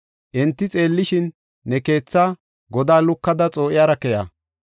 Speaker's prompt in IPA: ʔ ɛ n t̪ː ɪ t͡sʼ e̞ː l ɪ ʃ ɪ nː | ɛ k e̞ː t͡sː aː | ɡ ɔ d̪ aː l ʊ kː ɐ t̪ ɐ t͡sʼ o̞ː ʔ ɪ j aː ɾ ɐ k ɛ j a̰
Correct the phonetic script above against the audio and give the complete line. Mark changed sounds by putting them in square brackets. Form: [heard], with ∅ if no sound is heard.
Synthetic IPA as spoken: ʔ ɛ n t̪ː ɪ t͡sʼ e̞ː [lː] ɪ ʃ ɪ nː | ɛ k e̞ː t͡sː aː | ɡ ɔ d̪ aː l ʊ kː ɐ [d̪] ɐ t͡sʼ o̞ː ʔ ɪ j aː ɾ ɐ k ɛ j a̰